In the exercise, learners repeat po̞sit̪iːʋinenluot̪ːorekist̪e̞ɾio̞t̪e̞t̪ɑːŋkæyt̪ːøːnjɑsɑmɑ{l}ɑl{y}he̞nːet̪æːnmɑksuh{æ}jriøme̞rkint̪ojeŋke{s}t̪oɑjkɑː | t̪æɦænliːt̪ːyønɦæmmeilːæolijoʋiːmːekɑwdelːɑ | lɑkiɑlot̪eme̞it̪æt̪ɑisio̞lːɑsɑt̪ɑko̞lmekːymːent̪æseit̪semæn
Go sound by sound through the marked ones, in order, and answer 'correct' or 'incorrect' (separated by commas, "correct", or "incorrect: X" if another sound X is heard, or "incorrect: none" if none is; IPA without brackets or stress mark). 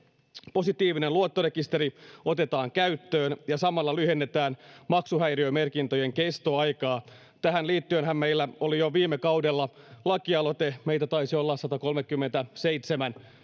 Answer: incorrect: lː, correct, correct, correct